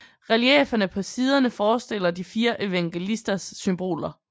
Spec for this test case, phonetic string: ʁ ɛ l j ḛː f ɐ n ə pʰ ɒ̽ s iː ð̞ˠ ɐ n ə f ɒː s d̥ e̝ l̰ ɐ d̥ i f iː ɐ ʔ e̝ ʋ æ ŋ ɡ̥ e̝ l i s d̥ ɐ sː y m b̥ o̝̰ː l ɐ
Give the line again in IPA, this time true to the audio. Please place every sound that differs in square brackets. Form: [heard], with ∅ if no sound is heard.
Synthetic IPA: ʁ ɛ l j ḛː f ɐ n ə pʰ ɒ̽ s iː ð̞ˠ ɐ n ə f ɒː s d̥ e̝ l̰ ɐ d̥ i f iː ɐ ʔ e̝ ʋ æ ŋ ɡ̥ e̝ l i s d̥ ɐ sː y m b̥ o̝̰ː l ɐ